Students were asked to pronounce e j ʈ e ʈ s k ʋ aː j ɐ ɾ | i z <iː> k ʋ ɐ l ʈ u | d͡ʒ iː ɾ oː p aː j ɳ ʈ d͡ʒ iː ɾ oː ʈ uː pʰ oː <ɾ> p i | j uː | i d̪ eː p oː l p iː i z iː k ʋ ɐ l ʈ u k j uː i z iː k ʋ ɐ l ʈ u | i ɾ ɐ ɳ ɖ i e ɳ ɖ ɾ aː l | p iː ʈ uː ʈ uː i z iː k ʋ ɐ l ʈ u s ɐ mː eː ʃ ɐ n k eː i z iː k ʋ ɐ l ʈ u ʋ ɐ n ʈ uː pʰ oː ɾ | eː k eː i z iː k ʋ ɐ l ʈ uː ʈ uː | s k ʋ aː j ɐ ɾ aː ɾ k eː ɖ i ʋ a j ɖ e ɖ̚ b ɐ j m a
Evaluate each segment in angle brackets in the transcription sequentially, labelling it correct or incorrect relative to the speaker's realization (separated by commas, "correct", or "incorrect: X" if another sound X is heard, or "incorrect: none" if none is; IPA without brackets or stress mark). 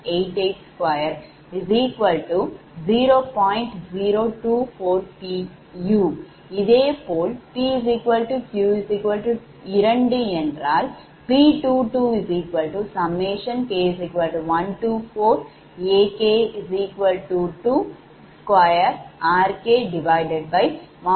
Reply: correct, correct